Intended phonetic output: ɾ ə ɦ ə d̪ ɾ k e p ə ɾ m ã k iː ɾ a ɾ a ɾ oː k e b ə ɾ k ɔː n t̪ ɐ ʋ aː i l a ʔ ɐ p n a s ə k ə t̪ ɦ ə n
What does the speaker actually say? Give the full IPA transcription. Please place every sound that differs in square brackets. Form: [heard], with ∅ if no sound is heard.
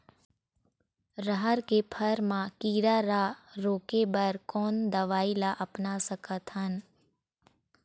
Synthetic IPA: ɾ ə ɦ ə [∅] ɾ k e [pʰ] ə ɾ m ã k iː ɾ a ɾ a ɾ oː k e b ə ɾ k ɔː n [d̪] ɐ ʋ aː i l a ʔ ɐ p n a s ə k ə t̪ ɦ ə n